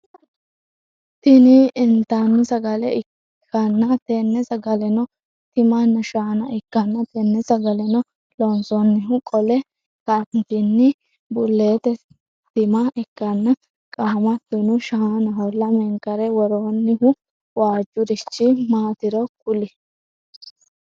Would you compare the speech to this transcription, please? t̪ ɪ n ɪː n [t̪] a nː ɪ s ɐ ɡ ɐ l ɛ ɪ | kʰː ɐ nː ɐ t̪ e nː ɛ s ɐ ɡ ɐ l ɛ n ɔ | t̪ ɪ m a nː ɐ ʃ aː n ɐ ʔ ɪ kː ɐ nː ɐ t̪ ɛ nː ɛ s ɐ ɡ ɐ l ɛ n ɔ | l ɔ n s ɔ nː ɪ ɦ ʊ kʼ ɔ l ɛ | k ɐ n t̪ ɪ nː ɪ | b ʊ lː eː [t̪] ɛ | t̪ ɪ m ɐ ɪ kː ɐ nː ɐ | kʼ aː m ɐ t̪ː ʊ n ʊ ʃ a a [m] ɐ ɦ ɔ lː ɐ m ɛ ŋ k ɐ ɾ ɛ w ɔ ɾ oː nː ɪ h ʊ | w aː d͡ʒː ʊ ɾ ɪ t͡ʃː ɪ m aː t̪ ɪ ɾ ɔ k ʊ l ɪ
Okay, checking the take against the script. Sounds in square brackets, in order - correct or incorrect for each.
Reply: correct, correct, incorrect: n

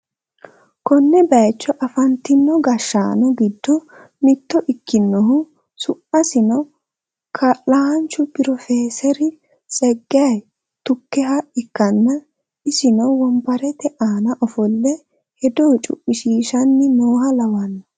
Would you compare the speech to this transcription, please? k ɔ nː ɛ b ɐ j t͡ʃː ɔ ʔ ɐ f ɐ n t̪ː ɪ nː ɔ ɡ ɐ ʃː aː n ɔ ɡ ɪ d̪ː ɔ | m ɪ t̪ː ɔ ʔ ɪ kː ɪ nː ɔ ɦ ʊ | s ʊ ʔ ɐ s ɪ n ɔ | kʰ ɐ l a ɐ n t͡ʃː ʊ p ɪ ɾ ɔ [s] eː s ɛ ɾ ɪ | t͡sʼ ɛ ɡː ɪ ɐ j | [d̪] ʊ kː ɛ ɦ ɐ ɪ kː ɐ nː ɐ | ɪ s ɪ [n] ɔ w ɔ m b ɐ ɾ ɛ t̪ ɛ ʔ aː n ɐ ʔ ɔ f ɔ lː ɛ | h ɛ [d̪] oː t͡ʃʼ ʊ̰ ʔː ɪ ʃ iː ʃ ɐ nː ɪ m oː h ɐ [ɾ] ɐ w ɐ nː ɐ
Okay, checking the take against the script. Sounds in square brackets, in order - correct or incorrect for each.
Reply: incorrect: f, incorrect: t̪, correct, correct, incorrect: l

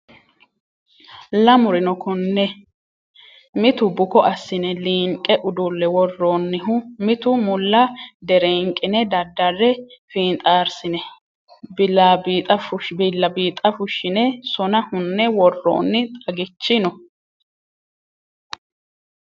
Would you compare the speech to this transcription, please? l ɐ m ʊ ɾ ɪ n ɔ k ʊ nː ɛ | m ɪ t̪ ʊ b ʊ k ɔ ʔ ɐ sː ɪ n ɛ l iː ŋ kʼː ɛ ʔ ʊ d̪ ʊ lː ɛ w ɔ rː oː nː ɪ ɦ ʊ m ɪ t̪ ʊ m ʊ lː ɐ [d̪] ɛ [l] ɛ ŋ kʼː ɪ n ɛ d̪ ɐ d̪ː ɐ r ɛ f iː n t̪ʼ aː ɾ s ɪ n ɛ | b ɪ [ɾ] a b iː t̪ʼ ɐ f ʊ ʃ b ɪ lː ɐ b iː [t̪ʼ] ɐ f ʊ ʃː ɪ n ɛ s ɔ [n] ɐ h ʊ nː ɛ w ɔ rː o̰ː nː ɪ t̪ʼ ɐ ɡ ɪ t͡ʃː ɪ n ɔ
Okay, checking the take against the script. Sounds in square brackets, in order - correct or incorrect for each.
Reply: correct, incorrect: ɾ, incorrect: l, correct, correct

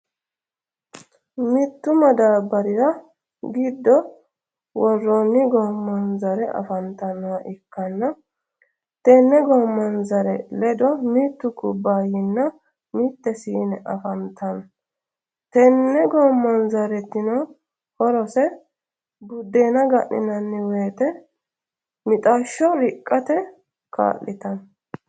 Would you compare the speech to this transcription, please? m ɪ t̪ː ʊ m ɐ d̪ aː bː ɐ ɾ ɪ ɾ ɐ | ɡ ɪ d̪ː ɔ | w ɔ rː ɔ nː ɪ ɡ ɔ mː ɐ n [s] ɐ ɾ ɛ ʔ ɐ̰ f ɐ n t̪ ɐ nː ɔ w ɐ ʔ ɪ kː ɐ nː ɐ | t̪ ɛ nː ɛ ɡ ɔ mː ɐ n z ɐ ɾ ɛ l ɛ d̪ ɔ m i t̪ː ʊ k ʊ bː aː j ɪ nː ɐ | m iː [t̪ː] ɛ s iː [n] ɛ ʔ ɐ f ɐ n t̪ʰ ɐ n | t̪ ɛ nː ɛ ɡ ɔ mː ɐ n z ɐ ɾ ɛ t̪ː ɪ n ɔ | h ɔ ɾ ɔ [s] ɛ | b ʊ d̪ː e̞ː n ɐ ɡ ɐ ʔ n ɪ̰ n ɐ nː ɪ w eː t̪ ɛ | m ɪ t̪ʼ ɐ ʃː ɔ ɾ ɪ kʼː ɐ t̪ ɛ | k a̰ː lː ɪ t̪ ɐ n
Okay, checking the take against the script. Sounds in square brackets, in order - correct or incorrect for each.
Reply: incorrect: z, correct, correct, correct

